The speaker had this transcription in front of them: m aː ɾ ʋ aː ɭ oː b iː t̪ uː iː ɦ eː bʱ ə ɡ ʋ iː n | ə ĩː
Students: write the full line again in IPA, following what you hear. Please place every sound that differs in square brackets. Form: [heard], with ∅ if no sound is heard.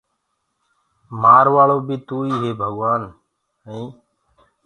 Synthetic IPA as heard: m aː ɾ ʋ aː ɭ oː b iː t̪ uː iː ɦ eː bʱ ə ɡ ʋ [aː] n | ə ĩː